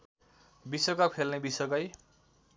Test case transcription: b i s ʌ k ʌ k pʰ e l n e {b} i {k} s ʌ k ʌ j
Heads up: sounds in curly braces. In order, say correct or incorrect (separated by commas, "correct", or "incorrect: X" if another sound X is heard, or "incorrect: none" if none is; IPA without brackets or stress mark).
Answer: correct, incorrect: none